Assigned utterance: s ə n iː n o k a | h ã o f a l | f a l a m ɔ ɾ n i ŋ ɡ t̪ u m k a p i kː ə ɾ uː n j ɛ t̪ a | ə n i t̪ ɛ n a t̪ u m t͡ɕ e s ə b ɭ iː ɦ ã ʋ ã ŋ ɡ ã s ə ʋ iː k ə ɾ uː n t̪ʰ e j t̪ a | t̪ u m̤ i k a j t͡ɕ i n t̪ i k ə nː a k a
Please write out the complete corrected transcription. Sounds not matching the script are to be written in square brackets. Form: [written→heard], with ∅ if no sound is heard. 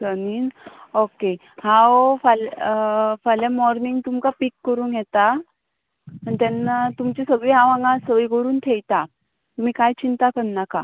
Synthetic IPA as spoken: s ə n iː n o k [a→e] | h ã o f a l | f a l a m ɔ ɾ n i ŋ ɡ t̪ u m k a p i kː ə ɾ uː n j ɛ t̪ a | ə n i t̪ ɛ n a t̪ u m t͡ɕ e s ə [b→ɡ] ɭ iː ɦ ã ʋ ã ŋ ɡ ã s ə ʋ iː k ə ɾ uː n t̪ʰ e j t̪ a | t̪ u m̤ i k a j t͡ɕ i n t̪ [i→a] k ə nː a k a